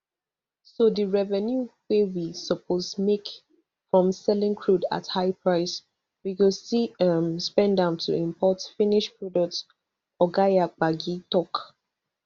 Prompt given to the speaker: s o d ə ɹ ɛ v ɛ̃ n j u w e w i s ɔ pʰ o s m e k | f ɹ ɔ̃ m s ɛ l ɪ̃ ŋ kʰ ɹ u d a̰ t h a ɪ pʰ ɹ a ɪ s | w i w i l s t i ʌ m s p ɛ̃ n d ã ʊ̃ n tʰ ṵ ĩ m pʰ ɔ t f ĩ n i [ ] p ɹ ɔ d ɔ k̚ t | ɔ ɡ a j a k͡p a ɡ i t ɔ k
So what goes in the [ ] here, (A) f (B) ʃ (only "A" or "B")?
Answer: B